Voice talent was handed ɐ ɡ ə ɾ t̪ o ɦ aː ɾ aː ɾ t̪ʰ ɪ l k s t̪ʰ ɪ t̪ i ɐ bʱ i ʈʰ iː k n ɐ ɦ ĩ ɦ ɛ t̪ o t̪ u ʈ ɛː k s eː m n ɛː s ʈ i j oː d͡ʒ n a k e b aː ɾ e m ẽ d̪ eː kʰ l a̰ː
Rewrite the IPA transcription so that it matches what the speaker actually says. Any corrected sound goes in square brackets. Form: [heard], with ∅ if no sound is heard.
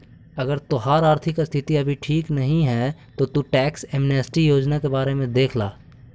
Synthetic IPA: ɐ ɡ ə ɾ t̪ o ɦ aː ɾ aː ɾ t̪ʰ ɪ [∅] k s t̪ʰ ɪ t̪ i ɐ bʱ i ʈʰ iː k n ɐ ɦ ĩ ɦ ɛ t̪ o t̪ u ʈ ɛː k s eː m n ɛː s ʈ i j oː d͡ʒ n a k e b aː ɾ e m ẽ d̪ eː kʰ l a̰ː